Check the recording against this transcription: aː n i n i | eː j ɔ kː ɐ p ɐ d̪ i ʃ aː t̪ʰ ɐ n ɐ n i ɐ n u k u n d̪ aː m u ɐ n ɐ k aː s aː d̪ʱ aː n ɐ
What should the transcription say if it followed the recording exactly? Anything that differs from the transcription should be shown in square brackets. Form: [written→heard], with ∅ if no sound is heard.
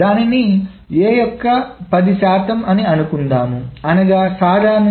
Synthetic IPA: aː n i n i | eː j ɔ kː ɐ p ɐ d̪ i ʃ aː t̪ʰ ɐ [n→m] ɐ n i ɐ n u k u n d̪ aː m u ɐ n ɐ [k→ɡ] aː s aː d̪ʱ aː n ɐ